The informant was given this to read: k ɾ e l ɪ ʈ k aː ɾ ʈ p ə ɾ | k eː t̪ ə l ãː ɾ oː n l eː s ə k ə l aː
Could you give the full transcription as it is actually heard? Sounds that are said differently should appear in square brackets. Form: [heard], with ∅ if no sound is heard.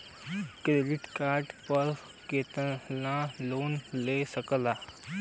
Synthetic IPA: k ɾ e l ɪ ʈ k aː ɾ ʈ p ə ɾ | k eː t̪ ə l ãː [l] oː n l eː s ə k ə l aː